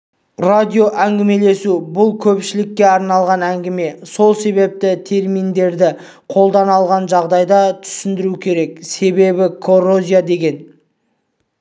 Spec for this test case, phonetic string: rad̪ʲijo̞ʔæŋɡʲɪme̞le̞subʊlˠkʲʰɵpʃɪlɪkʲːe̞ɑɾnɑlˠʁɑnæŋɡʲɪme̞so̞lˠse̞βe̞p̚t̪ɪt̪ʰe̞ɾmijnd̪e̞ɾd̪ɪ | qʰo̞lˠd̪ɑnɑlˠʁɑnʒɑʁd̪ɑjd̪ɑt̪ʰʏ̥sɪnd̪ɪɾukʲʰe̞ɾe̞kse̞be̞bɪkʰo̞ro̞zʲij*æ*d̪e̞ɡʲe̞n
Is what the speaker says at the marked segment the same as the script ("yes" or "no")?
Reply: no